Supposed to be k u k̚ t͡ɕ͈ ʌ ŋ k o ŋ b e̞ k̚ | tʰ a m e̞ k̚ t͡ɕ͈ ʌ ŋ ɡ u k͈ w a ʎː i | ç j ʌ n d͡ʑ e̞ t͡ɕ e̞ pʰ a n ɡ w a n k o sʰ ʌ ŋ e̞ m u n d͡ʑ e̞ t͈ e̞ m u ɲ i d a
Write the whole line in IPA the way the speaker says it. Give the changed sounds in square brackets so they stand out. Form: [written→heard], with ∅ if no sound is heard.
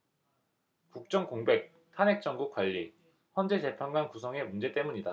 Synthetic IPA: k u k̚ t͡ɕ͈ ʌ ŋ k o ŋ b e̞ k̚ | tʰ a [m→n] e̞ k̚ t͡ɕ͈ ʌ ŋ ɡ u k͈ w a ʎː i | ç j ʌ n d͡ʑ e̞ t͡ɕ e̞ pʰ a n ɡ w a n k [o→u] sʰ ʌ ŋ e̞ m u n d͡ʑ e̞ t͈ e̞ m u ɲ i d a